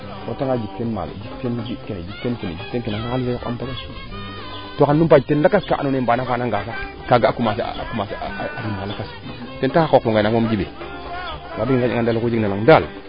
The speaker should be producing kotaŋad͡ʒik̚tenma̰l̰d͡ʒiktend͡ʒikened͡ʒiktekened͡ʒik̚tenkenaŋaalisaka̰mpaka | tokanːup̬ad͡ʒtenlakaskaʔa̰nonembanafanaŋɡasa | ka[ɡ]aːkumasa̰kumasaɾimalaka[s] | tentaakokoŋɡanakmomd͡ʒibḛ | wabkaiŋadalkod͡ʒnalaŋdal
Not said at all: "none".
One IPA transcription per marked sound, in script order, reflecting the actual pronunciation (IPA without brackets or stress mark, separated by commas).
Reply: ɡ, s